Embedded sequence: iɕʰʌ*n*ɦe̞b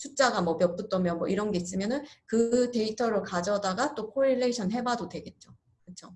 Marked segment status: correct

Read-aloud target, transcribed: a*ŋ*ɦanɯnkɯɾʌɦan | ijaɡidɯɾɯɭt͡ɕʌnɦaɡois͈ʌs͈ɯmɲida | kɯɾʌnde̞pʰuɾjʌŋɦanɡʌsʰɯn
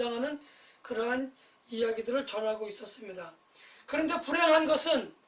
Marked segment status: correct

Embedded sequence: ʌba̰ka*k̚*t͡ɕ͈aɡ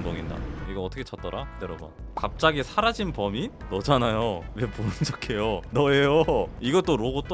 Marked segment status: incorrect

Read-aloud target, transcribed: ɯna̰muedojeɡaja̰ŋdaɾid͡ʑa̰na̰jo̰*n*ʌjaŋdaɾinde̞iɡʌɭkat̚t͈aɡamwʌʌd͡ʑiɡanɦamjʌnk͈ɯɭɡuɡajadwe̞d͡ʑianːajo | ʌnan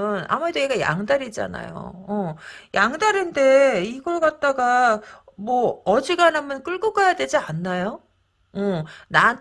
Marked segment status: incorrect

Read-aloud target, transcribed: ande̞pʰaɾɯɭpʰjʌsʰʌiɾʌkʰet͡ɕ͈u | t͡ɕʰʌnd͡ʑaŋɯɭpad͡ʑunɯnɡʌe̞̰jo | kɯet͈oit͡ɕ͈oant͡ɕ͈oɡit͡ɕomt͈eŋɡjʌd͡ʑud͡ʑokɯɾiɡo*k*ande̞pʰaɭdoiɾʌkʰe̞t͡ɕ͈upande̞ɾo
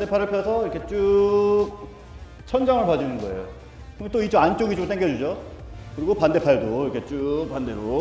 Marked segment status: incorrect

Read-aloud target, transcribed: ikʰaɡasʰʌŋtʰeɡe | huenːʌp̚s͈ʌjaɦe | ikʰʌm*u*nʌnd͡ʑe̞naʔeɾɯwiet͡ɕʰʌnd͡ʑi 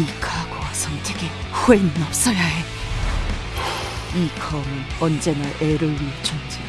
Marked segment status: incorrect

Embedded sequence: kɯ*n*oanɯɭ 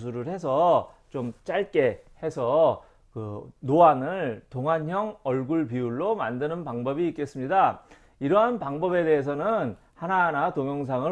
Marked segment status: correct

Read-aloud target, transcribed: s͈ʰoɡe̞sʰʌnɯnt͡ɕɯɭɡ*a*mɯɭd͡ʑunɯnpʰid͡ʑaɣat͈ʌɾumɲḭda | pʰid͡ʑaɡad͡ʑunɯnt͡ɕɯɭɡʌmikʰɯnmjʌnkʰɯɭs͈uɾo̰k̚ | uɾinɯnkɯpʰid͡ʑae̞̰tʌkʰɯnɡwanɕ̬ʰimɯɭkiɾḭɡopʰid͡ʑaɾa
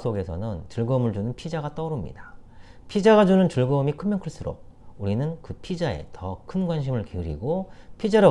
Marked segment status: incorrect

